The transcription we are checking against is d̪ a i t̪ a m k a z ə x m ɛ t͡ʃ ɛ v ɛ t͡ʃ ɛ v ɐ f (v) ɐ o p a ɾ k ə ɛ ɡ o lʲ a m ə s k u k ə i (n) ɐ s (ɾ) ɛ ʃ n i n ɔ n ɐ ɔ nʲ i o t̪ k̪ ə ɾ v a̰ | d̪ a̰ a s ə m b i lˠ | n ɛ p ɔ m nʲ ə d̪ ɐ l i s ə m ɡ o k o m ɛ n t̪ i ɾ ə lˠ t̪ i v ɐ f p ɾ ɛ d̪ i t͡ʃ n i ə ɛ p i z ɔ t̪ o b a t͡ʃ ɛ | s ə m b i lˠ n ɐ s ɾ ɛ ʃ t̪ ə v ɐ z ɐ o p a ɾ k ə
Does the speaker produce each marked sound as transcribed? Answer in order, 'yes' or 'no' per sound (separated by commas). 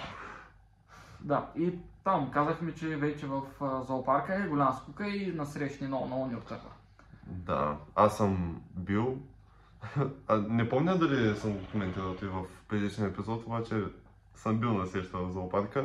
no, yes, yes